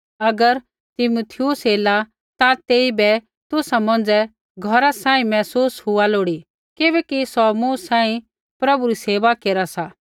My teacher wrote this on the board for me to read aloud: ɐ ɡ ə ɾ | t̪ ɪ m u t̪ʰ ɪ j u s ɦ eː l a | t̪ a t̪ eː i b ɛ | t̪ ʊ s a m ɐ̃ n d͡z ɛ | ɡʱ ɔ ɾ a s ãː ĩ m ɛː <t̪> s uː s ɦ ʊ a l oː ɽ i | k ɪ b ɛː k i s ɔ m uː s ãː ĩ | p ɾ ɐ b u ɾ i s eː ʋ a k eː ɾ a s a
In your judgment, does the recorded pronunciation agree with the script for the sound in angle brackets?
no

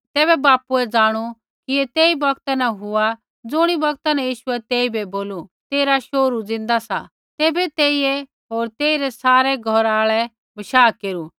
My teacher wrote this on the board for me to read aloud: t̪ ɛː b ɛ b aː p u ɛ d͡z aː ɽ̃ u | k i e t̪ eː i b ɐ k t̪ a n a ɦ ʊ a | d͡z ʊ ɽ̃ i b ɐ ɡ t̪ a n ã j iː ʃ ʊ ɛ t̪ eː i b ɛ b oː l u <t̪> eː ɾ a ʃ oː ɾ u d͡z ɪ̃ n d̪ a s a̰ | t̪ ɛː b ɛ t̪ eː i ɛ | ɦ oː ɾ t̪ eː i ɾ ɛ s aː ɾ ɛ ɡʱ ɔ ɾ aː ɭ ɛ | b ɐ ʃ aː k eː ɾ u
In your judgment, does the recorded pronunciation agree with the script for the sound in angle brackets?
yes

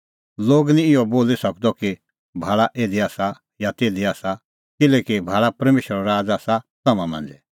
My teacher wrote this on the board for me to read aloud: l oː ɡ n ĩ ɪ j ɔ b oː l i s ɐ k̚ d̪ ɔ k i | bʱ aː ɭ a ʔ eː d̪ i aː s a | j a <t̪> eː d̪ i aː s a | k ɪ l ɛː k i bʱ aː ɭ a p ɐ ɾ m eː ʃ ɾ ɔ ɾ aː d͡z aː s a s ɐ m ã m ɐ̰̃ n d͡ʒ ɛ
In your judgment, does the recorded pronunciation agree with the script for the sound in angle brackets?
yes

